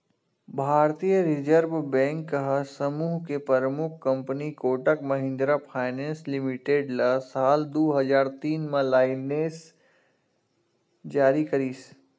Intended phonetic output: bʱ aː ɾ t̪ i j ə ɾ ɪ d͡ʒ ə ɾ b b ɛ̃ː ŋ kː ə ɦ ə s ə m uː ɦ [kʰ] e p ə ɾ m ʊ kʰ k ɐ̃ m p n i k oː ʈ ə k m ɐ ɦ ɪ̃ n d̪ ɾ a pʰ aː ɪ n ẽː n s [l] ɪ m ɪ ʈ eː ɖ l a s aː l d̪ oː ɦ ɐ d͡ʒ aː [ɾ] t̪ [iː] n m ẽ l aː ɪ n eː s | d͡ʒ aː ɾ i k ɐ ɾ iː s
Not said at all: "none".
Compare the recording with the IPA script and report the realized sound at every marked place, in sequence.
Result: k, l, ɾ, iː

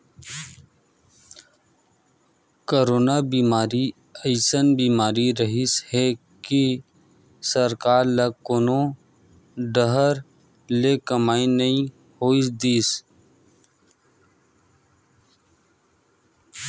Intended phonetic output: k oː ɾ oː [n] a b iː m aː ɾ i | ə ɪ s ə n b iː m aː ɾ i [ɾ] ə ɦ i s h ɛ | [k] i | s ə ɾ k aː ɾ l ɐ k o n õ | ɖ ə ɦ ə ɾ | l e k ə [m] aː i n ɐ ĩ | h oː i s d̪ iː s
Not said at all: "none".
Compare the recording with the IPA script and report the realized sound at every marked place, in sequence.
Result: n, ɾ, k, m

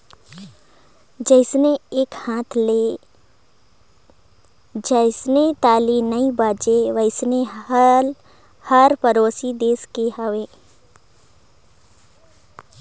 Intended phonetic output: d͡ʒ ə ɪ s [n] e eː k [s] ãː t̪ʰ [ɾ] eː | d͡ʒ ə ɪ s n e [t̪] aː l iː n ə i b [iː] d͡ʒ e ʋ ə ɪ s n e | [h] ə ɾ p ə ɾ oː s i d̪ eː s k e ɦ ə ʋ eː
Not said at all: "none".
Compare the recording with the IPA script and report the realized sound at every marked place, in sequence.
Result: n, h, l, t̪, aː, h

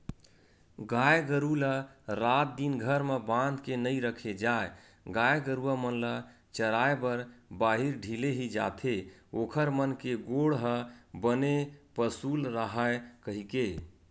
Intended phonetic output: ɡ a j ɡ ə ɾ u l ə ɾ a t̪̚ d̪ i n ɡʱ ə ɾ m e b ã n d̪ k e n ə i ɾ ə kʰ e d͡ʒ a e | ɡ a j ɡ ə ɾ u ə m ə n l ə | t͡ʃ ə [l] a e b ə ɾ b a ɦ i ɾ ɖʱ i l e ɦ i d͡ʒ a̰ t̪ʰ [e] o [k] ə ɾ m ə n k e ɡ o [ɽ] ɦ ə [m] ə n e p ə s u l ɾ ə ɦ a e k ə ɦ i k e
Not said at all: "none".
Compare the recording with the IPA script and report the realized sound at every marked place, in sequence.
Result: ɾ, e, kʰ, ɽ, b

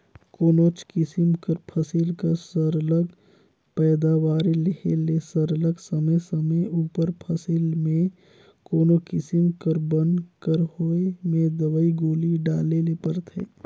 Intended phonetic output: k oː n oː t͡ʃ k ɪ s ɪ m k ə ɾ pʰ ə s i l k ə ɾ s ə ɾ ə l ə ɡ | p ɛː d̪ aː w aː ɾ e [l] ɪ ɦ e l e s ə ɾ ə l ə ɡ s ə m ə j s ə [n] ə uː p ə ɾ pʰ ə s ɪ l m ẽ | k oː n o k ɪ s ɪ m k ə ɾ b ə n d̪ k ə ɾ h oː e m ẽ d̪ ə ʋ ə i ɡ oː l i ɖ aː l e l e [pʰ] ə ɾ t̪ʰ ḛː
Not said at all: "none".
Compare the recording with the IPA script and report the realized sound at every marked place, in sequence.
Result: l, m, p

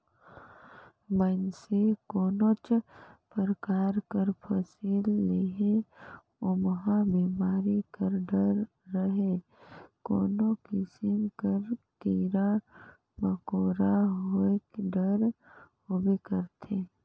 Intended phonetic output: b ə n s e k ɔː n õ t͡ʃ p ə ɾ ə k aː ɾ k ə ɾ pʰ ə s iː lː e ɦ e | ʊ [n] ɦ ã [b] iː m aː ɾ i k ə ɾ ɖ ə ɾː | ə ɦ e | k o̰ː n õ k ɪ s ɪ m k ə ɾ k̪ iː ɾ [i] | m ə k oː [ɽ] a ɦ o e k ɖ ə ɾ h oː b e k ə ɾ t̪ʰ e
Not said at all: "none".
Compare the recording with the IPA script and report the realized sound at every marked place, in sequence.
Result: m, b, a, ɾ

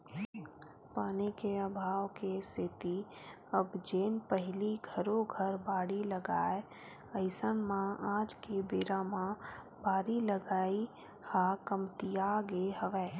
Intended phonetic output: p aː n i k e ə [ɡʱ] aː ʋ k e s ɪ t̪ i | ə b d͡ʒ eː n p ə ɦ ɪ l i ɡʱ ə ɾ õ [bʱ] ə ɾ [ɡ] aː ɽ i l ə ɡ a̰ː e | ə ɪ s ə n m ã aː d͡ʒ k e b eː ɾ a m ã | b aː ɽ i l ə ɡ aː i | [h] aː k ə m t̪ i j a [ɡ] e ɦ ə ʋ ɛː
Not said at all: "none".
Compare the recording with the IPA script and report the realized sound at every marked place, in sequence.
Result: bʱ, ɡʱ, b, h, ɡ

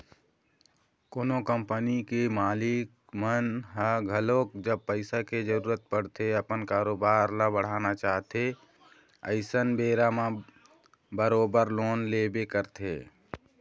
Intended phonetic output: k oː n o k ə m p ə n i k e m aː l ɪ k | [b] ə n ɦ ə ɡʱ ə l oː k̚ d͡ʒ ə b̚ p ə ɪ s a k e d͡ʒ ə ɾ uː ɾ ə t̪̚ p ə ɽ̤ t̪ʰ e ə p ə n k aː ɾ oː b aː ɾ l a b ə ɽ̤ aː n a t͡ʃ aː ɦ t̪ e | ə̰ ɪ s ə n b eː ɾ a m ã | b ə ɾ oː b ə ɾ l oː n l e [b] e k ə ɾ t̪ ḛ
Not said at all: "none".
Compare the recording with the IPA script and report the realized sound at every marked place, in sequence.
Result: m, b

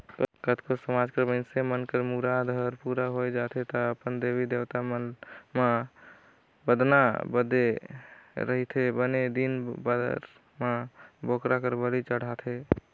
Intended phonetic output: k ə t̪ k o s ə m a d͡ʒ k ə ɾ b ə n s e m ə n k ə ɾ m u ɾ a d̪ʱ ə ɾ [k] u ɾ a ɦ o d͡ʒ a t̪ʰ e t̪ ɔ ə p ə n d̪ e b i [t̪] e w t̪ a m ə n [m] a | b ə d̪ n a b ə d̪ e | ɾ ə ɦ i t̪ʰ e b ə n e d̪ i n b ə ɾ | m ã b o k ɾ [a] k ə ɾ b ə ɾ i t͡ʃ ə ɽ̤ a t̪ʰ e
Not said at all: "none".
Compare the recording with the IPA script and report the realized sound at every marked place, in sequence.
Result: p, d̪, m, a

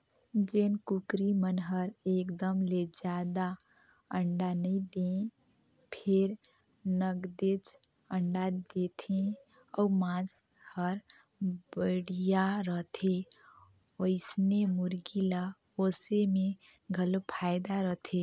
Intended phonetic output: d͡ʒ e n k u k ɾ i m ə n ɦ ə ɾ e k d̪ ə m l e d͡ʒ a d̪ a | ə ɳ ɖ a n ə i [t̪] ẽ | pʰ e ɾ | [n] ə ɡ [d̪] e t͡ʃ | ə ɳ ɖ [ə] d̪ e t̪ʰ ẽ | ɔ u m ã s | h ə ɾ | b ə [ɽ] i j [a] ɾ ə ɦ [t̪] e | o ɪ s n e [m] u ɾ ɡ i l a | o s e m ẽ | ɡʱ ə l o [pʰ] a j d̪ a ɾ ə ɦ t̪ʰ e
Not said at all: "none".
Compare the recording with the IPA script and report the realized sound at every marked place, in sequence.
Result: d̪, n, d̪, a, ɽ, a, t̪ʰ, m, pʰ

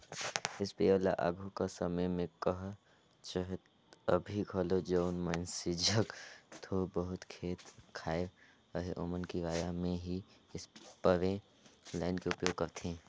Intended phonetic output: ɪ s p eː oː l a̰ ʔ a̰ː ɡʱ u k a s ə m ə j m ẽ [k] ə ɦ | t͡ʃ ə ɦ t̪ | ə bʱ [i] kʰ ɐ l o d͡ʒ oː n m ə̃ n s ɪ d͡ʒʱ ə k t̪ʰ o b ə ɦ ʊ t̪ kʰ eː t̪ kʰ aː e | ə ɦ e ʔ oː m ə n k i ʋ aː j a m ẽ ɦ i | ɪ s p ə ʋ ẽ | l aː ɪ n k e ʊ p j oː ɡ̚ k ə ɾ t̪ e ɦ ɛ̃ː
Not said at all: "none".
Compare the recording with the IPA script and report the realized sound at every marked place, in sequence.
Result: k, i

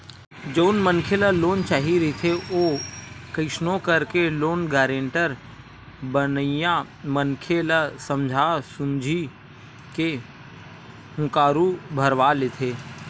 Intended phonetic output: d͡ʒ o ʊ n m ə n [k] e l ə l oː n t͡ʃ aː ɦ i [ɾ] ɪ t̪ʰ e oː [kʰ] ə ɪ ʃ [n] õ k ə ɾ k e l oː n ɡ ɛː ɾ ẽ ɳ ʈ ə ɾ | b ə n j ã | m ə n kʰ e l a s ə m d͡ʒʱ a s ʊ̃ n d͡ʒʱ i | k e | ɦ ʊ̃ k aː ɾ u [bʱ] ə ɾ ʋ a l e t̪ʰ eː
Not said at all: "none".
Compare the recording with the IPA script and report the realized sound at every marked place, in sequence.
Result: kʰ, ɾ, k, n, bʱ

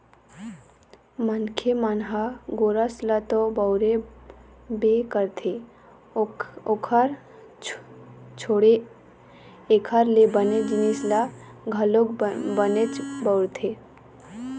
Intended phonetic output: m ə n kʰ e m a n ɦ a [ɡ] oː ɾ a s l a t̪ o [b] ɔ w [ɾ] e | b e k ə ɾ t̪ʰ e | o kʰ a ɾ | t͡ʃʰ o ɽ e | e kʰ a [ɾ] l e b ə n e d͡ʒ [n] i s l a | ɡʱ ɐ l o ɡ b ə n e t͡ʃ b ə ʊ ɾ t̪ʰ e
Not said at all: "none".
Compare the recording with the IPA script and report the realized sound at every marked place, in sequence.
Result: ɡ, b, ɾ, ɾ, n

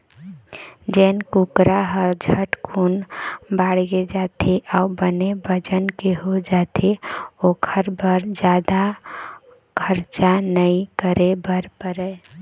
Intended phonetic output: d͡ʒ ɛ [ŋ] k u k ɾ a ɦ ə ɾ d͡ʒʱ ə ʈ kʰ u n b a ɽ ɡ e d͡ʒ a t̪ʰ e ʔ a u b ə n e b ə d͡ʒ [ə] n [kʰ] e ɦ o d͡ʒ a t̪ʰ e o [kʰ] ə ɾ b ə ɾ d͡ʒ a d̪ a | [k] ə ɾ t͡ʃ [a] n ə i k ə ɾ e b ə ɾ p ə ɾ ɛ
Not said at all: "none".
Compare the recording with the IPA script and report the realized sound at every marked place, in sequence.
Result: n, ə, k, kʰ, kʰ, a

